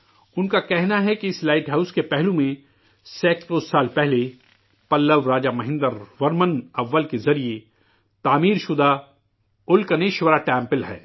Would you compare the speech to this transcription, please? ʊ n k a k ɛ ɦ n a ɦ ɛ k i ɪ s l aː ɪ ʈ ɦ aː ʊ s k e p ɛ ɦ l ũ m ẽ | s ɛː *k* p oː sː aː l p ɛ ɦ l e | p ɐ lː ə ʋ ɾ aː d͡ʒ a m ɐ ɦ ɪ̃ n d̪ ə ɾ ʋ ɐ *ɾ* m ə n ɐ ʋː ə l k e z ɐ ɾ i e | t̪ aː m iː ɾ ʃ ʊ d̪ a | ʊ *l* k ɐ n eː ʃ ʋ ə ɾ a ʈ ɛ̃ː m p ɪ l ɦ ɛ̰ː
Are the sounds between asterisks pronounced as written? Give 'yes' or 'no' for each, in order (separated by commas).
yes, yes, yes